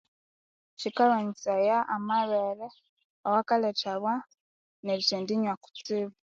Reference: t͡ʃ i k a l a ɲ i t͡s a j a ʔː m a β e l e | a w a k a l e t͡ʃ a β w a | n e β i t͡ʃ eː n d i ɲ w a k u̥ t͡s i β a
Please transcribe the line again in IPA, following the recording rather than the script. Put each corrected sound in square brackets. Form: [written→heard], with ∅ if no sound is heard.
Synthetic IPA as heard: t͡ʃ i k a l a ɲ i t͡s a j a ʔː m a β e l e | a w a k a l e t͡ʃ a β w a | n e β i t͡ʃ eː n d i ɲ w a k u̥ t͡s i β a